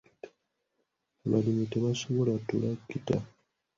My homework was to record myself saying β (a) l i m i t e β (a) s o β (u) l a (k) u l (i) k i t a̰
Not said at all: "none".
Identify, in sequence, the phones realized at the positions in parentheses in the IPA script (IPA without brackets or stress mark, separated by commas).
a, a, o, t, a